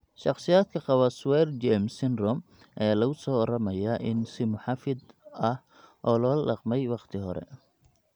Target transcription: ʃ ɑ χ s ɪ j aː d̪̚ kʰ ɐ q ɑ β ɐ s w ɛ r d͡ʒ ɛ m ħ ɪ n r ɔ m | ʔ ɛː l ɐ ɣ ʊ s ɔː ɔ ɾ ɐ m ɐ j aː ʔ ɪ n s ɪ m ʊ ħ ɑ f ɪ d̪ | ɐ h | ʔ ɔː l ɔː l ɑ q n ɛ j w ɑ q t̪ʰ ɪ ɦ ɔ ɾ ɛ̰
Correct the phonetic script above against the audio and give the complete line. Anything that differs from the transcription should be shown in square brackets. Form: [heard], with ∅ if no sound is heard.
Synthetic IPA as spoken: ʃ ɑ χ s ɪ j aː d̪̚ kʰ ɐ q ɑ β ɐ s w ɛ r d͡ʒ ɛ m [s] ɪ n r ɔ m | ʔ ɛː l ɐ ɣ ʊ s ɔː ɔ ɾ ɐ m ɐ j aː ʔ ɪ n s ɪ m ʊ ħ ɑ f ɪ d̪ | ɐ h | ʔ ɔː l ɔː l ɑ q [m] ɛ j w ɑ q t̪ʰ ɪ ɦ ɔ ɾ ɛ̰